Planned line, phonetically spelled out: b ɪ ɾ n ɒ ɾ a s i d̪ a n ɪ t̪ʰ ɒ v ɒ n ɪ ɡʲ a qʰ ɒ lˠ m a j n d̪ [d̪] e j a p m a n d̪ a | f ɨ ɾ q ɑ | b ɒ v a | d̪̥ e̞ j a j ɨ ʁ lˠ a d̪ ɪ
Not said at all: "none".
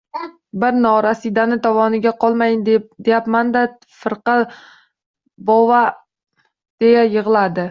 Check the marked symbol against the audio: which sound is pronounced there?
d̪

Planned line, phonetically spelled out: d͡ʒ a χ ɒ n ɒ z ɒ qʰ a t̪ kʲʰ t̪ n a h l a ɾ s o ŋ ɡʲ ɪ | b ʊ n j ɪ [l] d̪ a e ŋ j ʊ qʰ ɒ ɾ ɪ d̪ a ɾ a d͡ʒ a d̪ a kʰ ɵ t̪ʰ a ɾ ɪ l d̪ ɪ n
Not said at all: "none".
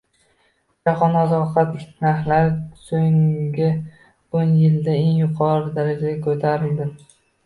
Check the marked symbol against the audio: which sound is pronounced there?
l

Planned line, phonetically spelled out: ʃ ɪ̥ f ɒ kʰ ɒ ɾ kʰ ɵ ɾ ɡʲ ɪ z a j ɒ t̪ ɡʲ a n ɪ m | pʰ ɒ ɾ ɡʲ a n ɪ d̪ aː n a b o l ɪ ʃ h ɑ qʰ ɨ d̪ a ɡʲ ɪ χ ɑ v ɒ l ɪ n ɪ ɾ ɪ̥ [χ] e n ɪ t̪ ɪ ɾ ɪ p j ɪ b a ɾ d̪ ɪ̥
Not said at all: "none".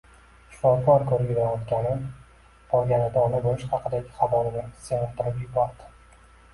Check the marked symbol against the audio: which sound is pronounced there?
s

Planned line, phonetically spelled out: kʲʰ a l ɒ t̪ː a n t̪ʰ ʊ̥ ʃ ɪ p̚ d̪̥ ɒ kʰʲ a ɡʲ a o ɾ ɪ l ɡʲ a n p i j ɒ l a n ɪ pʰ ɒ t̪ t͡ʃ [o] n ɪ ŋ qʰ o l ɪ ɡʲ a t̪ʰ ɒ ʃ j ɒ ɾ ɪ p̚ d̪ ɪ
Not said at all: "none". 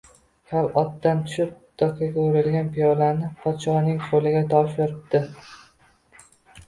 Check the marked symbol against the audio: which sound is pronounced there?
ɒ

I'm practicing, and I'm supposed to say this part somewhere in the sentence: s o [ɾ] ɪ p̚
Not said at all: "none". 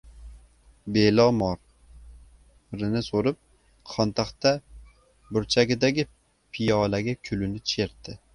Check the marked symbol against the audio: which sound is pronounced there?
ɾ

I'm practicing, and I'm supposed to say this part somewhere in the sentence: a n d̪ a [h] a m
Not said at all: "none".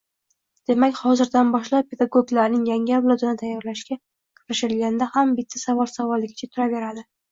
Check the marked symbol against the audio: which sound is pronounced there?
h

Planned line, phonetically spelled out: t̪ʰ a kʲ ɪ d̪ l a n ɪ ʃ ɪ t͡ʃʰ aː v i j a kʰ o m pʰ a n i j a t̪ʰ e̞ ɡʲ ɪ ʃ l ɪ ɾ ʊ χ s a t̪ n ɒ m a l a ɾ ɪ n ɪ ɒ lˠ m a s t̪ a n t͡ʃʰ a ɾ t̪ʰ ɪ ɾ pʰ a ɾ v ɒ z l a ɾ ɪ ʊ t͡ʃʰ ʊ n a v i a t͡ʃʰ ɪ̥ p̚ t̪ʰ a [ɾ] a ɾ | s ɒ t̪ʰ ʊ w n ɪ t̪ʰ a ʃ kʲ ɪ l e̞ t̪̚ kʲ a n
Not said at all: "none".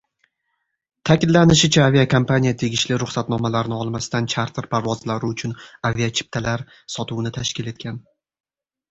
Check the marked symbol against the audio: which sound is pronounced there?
l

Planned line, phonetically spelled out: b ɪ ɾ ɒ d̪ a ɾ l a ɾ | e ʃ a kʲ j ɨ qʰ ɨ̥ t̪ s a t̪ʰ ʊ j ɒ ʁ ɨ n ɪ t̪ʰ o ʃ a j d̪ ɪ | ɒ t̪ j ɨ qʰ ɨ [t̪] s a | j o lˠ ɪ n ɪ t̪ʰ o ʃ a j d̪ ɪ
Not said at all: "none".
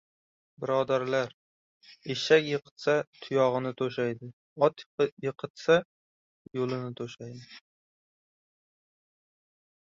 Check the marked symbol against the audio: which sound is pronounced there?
t̪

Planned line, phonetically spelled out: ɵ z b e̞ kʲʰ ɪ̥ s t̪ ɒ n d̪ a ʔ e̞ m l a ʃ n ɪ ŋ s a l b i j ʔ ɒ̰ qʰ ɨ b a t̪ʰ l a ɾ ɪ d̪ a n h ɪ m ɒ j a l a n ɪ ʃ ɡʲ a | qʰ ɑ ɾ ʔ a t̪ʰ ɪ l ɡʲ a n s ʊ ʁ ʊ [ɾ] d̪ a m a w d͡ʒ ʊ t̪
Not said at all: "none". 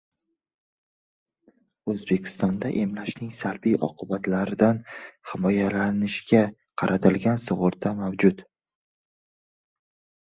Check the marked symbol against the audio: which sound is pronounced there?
ɾ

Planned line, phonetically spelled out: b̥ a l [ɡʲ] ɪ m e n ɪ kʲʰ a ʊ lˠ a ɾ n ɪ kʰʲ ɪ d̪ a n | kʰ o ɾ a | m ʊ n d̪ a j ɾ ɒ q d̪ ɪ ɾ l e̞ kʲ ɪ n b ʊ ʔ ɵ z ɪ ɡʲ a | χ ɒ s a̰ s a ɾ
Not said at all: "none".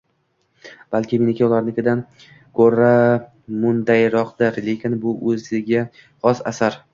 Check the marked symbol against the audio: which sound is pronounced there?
kʲ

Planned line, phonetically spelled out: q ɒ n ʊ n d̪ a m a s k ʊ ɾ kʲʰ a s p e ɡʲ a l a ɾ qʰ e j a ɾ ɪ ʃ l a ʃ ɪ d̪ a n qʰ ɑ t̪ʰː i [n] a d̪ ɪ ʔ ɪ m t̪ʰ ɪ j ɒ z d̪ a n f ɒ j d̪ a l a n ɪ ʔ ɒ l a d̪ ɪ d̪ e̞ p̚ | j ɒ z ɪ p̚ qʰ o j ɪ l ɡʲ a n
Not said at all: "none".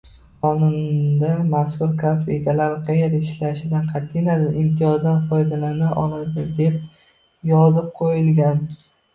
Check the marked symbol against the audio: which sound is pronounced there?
n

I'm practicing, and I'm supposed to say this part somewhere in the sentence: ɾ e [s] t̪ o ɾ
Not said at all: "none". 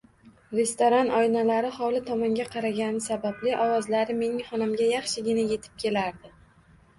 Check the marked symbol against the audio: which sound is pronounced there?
s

